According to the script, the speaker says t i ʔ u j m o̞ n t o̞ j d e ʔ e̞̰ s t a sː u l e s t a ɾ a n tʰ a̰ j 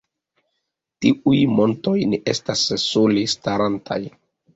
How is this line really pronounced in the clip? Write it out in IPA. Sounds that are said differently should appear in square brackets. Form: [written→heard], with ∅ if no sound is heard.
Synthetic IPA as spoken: t i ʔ u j m o̞ n t o̞ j [d→n] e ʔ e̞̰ s t a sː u l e s t a ɾ a n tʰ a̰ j